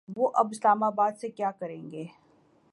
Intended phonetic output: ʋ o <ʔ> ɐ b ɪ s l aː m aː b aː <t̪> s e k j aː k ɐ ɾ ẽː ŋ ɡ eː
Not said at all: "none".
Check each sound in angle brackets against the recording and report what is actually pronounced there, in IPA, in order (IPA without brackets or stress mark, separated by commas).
ʔ, d̪